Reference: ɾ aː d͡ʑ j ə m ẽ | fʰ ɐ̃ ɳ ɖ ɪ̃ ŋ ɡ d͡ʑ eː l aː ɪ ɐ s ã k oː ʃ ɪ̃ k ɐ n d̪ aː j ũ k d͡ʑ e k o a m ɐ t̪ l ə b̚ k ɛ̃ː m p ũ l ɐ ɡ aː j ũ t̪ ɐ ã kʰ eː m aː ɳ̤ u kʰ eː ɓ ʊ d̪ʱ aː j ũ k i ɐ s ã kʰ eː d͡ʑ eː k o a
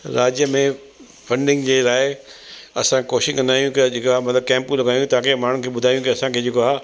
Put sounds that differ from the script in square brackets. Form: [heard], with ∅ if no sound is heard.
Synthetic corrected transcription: ɾ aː d͡ʑ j ə m ẽ | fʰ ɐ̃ ɳ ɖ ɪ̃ ŋ ɡ d͡ʑ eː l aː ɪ ɐ s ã k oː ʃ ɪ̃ k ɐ n d̪ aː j ũ k d͡ʑ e k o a m ɐ t̪ l ə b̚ k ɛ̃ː m p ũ l ɐ ɡ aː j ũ t̪ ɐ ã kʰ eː m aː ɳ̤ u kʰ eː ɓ ʊ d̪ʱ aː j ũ k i ɐ s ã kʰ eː d͡ʑ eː k o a